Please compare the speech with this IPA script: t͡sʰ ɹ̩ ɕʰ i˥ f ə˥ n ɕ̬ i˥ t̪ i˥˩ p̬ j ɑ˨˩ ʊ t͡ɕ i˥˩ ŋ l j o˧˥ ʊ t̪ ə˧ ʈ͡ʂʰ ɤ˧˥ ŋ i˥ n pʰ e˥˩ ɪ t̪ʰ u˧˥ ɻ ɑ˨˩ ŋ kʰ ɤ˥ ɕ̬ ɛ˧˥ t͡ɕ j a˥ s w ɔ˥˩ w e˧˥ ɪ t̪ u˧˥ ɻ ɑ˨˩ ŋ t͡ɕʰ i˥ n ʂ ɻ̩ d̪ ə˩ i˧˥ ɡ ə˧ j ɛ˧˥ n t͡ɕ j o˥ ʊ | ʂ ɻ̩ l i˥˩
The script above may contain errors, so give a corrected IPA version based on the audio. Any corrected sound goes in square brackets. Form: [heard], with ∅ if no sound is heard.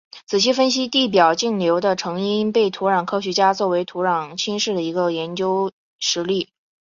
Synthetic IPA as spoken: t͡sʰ ɹ̩ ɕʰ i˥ f ə˥ n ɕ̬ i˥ t̪ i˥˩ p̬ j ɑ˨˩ ʊ t͡ɕ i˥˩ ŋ l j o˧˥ ʊ [d̪] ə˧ ʈ͡ʂʰ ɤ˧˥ ŋ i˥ n [p] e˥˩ ɪ t̪ʰ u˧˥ ɻ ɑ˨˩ ŋ kʰ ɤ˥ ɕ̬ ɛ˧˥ t͡ɕ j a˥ [t͡s] w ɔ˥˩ w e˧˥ ɪ [t̪ʰ] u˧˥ ɻ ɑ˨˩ ŋ t͡ɕʰ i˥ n ʂ ɻ̩ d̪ ə˩ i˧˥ ɡ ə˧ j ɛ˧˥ n t͡ɕ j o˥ ʊ | ʂ ɻ̩ l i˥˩